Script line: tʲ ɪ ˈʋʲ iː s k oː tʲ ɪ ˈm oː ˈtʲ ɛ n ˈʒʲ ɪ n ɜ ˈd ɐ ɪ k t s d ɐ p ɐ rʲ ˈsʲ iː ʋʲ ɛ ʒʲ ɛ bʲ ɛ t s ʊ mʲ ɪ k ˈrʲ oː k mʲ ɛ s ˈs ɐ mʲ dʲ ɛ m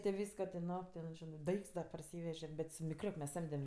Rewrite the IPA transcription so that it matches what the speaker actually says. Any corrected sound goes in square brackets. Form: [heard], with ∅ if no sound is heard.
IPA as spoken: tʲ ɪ ˈʋʲ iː s k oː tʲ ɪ [ˈn] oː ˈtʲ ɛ n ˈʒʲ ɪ n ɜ ˈd ɐ ɪ k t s d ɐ p ɐ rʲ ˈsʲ iː ʋʲ ɛ ʒʲ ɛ bʲ ɛ t s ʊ mʲ ɪ k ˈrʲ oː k mʲ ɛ s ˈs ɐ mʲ dʲ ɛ m

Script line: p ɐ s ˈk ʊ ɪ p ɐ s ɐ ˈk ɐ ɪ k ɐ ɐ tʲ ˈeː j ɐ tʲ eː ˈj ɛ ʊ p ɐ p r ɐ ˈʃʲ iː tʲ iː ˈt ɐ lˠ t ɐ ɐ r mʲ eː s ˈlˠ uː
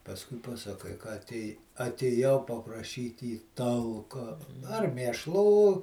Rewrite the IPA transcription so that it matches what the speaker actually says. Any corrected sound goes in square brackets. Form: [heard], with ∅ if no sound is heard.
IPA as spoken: p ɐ s ˈk ʊ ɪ p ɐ s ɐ ˈk ɐ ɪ k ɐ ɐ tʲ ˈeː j ɐ tʲ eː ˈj ɛ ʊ p ɐ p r ɐ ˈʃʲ iː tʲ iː ˈt ɐ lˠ [k] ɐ ɐ r mʲ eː [ʃ] ˈlˠ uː

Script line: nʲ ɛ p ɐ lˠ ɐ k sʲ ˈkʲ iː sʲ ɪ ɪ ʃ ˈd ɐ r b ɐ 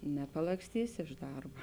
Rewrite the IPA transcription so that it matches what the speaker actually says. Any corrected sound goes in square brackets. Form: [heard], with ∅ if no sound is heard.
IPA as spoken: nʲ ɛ p ɐ lˠ ɐ k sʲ [ˈtʲ] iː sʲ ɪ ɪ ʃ ˈd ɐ r b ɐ

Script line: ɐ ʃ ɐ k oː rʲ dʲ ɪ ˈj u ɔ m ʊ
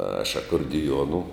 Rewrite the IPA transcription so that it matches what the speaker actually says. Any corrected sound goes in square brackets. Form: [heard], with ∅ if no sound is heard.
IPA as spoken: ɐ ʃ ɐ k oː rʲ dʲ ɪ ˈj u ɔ [n] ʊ

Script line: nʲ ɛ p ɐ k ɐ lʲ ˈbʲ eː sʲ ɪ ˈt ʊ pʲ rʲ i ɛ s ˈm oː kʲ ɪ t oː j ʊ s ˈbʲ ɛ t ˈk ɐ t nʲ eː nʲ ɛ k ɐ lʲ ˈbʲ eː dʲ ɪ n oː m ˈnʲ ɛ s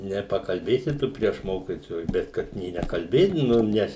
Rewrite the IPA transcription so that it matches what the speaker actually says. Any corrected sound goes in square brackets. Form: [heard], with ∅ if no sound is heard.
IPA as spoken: nʲ ɛ p ɐ k ɐ lʲ ˈbʲ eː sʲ ɪ ˈt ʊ pʲ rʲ i ɛ [ʃ] ˈm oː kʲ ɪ t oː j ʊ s ˈbʲ ɛ t ˈk ɐ t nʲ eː nʲ ɛ k ɐ lʲ ˈbʲ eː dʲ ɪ n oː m ˈnʲ ɛ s

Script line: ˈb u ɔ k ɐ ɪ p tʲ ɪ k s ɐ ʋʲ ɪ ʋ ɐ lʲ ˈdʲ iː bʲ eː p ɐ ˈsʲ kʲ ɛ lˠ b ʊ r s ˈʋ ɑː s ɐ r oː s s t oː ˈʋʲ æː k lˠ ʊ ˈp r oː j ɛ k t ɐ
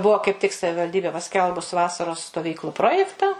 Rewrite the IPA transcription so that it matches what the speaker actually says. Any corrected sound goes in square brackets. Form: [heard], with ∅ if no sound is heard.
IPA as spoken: ˈb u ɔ k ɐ ɪ p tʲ ɪ k s ɐ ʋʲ ɪ ʋ ɐ lʲ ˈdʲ iː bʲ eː p ɐ ˈsʲ kʲ ɛ lˠ b ʊ [∅] s ˈʋ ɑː s ɐ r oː s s t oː ˈʋʲ [iː] k lˠ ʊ ˈp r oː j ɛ k t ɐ

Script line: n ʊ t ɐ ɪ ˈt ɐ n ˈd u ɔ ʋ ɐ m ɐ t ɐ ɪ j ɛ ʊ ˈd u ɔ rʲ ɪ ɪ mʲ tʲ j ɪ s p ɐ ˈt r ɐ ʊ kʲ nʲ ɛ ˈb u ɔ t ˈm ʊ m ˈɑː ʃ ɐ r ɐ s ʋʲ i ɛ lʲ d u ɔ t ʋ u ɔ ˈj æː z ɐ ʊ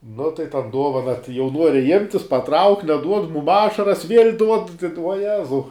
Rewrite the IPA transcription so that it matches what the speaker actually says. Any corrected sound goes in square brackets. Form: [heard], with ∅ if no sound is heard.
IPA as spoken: n ʊ t ɐ ɪ ˈt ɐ n ˈd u ɔ ʋ ɐ [n] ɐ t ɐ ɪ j ɛ ʊ [ˈn] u ɔ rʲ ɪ ɪ mʲ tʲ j ɪ s p ɐ ˈt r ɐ ʊ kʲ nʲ ɛ [ˈd] u ɔ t ˈm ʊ m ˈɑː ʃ ɐ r ɐ s ʋʲ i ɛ lʲ d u ɔ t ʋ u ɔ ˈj æː z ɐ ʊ

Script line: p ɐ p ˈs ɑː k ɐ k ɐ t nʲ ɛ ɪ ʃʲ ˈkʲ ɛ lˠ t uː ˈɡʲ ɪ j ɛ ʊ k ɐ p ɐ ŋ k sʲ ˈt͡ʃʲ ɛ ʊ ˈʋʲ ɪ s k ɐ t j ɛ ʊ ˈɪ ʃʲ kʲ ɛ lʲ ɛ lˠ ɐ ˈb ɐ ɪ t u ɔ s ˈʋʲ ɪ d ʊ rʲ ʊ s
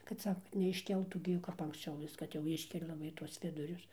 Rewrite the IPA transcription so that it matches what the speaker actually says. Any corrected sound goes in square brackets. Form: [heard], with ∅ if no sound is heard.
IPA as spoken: [k] ɐ [t] ˈs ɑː k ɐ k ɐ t nʲ ɛ ɪ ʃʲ ˈkʲ ɛ lˠ t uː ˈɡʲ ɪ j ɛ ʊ k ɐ p ɐ ŋ k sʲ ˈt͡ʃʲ ɛ ʊ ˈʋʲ ɪ s k ɐ t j ɛ ʊ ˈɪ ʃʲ kʲ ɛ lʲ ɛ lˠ ɐ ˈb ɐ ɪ t u ɔ s ˈʋʲ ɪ d ʊ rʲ ʊ s

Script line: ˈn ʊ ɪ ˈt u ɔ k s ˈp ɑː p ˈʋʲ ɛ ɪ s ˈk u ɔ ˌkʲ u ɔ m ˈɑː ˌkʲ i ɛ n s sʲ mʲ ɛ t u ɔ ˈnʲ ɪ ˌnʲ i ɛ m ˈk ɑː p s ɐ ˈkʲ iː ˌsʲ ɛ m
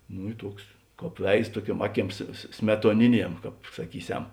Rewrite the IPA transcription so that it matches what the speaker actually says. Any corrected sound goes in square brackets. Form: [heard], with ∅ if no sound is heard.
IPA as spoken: ˈn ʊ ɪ ˈt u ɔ k s [ˈk] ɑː p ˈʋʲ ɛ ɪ s [ˈt] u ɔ ˌkʲ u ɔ m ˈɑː ˌkʲ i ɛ [m] s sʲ mʲ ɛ t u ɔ ˈnʲ ɪ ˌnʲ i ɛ m ˈk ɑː p s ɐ ˈkʲ iː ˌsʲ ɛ m

